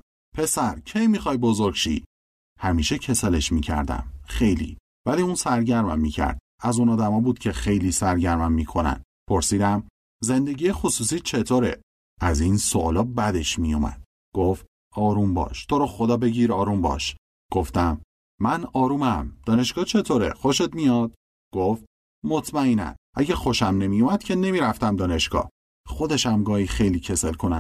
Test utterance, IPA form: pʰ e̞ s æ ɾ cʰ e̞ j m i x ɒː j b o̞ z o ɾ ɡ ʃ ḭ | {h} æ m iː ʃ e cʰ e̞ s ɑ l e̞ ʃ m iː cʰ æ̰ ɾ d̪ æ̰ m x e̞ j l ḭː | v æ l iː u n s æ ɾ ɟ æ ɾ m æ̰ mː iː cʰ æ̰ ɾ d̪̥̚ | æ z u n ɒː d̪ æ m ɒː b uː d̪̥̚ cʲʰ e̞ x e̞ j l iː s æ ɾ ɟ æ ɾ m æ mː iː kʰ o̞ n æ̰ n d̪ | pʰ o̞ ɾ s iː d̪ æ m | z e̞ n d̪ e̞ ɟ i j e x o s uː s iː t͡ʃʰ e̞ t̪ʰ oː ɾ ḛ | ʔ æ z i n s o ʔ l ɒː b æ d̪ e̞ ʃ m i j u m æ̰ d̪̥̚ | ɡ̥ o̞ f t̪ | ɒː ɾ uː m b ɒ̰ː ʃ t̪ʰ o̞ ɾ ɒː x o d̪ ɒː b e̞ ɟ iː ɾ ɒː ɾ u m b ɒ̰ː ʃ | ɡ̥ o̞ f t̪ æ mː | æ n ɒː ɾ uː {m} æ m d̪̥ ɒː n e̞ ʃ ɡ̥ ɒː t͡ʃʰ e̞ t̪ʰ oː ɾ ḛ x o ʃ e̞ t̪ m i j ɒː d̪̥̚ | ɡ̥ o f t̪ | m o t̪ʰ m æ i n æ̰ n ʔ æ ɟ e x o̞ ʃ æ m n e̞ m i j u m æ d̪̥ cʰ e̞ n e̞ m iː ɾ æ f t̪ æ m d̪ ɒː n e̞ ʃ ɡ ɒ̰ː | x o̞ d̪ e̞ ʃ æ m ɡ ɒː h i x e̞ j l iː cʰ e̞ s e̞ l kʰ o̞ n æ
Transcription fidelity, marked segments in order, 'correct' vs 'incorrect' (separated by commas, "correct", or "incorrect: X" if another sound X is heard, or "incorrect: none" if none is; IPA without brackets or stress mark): correct, correct